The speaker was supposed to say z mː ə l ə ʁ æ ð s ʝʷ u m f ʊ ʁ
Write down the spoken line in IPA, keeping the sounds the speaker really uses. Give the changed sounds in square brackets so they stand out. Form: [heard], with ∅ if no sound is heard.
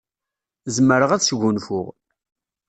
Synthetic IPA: z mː ə [ɾ] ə ʁ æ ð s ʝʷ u [n] f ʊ ʁ